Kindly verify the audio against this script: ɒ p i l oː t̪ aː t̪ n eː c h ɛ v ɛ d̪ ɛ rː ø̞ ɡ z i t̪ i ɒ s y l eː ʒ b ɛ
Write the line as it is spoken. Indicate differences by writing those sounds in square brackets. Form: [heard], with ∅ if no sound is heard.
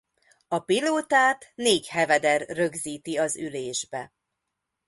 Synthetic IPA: ɒ p i l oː t̪ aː t̪ n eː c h ɛ v ɛ d̪ ɛ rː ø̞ ɡ z [iː] t̪ i ɒ [z] y l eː ʒ b ɛ